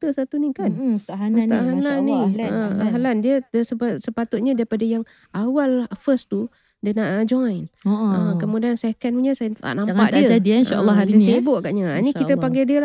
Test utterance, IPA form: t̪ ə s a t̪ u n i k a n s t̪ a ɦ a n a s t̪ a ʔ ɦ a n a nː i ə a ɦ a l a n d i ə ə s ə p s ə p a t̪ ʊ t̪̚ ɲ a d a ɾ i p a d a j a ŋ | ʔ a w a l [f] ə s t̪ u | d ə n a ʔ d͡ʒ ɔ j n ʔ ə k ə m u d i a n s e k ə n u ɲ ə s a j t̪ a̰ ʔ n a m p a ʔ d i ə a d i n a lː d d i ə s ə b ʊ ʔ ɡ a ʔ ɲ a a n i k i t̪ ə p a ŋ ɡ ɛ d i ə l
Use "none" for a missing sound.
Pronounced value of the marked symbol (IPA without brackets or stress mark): f